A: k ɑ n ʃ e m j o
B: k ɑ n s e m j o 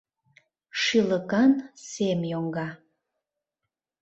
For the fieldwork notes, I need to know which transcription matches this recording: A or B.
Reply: B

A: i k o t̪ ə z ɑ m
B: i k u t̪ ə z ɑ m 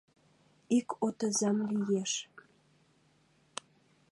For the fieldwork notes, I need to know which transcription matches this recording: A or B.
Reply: A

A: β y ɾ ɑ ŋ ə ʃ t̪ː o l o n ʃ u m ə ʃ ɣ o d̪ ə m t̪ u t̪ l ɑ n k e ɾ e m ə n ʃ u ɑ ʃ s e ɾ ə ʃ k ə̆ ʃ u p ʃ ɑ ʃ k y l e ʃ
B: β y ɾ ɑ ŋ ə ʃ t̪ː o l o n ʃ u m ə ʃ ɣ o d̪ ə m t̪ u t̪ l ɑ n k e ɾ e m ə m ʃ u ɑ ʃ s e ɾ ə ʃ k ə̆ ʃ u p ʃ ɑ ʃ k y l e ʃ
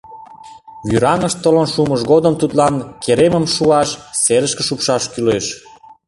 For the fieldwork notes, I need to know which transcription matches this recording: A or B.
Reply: B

